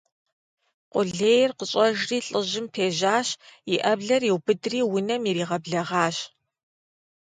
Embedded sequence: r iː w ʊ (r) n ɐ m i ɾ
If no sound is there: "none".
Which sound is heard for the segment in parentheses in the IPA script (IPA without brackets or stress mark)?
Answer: none